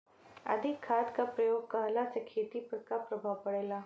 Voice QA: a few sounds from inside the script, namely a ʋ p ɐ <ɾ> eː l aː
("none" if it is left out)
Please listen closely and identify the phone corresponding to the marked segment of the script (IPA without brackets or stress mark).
ɽ